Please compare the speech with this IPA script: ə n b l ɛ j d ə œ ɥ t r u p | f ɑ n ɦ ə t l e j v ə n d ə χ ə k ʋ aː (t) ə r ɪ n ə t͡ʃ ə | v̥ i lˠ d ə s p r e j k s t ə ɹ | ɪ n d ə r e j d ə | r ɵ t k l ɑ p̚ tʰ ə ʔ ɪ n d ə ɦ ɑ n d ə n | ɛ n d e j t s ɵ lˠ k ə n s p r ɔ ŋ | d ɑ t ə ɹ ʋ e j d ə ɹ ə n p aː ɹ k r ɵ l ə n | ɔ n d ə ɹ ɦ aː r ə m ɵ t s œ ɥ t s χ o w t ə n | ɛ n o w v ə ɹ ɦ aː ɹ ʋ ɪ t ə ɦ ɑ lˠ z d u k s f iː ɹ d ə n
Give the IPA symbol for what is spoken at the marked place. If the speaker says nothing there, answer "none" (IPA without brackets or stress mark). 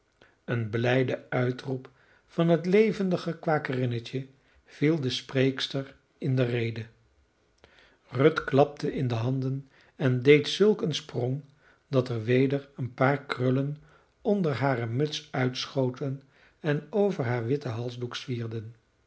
k